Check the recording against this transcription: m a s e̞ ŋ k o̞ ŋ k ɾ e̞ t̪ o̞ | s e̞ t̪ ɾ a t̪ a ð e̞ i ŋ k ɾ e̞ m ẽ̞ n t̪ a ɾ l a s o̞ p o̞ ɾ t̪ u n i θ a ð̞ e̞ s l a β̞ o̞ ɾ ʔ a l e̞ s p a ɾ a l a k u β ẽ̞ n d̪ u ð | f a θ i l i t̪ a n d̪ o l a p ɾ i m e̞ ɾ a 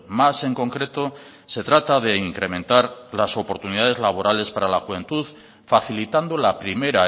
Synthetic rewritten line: m a s e̞ ŋ k o̞ ŋ k ɾ e̞ t̪ o̞ | s e̞ t̪ ɾ a t̪ a ð e̞ i ŋ k ɾ e̞ m ẽ̞ n t̪ a ɾ l a s o̞ p o̞ ɾ t̪ u n i ð a ð̞ e̞ z l a β̞ o̞ ɾ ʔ a l e̞ s p a ɾ a l a x u β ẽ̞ n t̪ u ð | f a θ i l i t̪ a n d̪ o l a p ɾ i m e̞ ɾ a